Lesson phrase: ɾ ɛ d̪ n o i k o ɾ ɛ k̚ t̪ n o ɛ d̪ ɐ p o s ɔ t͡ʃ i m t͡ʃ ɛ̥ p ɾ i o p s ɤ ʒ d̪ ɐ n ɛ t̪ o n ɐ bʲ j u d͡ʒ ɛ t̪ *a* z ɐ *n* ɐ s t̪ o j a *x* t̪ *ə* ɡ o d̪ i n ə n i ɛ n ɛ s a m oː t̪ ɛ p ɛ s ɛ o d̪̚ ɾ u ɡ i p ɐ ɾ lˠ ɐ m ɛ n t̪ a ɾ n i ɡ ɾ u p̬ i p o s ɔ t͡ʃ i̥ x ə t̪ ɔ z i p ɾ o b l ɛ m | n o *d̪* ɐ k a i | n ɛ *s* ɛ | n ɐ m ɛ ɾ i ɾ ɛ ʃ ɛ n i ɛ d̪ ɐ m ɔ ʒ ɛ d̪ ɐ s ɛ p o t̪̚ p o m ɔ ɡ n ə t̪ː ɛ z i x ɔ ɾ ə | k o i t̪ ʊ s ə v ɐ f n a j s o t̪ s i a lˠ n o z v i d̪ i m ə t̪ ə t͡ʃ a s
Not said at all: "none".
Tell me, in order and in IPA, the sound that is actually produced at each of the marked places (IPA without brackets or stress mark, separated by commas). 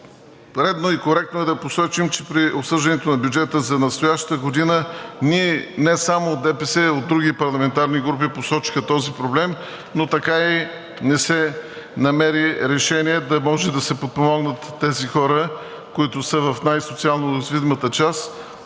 ə, n, ʃ, ə, t̪, s